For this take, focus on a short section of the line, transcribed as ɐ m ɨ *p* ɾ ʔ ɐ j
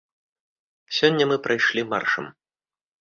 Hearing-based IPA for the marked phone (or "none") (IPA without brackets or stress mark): p